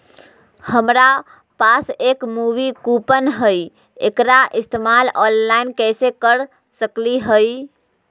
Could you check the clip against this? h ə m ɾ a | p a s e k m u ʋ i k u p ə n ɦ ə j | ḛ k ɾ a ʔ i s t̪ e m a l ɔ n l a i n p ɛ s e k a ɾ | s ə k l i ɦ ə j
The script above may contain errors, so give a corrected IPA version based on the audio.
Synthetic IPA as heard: h ə m ɾ a | p a s e k m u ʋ i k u p ə n ɦ ə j | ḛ k ɾ a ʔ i s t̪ e m a l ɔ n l a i n k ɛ s e k ə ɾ | s ə k l i ɦ ə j